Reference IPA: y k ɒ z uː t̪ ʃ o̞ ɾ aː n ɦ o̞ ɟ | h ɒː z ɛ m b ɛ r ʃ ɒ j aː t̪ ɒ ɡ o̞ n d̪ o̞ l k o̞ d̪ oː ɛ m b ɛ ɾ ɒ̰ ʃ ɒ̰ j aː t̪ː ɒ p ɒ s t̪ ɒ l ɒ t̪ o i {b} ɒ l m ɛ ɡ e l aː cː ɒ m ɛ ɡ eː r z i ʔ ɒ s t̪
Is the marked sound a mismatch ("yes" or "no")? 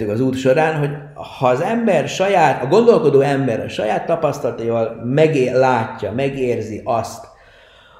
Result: yes